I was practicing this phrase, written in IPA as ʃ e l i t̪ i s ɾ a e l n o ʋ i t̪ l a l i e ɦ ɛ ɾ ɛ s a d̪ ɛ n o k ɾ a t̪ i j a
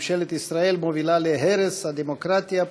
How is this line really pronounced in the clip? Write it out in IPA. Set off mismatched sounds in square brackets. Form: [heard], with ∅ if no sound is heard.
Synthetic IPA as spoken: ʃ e l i t̪ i s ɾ a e l [m] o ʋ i [∅] l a l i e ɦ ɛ ɾ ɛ s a d̪ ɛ [m] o k ɾ a t̪ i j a